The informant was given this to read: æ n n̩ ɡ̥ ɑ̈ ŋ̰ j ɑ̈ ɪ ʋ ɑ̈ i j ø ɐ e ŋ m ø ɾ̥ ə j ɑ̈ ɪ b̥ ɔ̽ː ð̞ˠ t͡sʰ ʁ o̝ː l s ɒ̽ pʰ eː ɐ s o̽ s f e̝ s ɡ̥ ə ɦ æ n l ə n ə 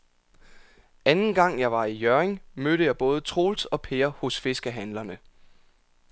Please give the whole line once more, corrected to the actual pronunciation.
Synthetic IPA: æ n n̩ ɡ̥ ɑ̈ ŋ̰ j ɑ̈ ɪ ʋ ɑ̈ i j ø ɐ e ŋ m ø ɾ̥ ə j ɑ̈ ɪ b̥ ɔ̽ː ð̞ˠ t͡sʰ ʁ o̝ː l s ɒ̽ pʰ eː ɐ h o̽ s f e̝ s ɡ̥ ə ɦ æ n l ɐ n ə